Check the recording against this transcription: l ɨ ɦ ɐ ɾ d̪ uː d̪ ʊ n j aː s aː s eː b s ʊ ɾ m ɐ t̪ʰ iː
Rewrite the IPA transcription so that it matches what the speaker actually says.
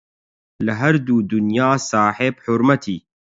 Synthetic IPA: l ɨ ɦ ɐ ɾ d̪ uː d̪ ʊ n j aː s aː ħ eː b ħ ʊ ɾ m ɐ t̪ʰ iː